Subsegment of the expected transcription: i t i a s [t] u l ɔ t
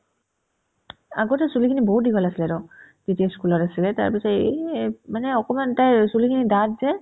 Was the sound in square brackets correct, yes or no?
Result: no